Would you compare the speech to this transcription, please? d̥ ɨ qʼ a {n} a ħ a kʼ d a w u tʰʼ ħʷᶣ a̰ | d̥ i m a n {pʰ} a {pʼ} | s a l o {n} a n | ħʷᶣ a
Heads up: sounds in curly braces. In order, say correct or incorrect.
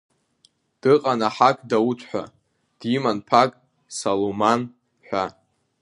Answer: correct, correct, incorrect, incorrect

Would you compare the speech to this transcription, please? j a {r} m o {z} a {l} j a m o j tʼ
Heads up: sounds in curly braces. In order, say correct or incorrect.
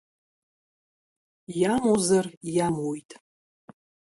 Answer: incorrect, correct, incorrect

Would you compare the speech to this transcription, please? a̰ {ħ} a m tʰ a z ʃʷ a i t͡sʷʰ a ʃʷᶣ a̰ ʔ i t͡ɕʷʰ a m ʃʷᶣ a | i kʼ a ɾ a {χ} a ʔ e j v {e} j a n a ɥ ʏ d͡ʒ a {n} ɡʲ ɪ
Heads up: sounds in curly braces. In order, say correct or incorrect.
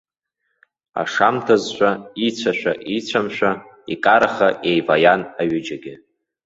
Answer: incorrect, correct, incorrect, incorrect

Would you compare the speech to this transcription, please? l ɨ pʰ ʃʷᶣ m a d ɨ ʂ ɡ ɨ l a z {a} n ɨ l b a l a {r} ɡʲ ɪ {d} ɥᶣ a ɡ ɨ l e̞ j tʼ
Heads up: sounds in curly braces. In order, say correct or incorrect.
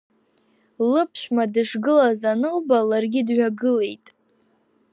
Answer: correct, correct, correct

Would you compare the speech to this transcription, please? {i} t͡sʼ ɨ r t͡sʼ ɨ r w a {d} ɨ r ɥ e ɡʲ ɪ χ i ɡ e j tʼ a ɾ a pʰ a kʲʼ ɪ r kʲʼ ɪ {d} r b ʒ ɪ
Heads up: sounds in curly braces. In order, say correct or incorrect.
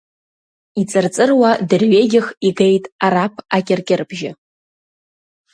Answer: correct, correct, incorrect

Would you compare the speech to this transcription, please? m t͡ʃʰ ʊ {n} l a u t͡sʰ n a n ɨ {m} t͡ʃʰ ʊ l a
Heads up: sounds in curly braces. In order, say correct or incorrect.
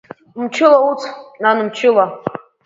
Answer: incorrect, correct

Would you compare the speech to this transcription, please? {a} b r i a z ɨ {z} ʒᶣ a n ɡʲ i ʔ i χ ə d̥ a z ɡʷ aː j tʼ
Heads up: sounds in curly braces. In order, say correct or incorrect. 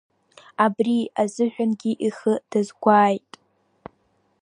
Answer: correct, incorrect

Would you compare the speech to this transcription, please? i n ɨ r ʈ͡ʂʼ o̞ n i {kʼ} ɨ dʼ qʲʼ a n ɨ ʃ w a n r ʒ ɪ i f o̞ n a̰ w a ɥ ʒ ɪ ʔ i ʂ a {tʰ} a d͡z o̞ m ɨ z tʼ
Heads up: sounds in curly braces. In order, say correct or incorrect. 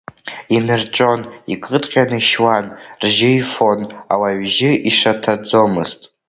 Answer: correct, correct

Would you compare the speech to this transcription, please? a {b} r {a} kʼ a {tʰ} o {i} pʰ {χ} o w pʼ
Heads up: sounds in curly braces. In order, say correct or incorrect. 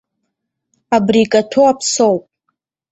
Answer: correct, incorrect, correct, incorrect, incorrect

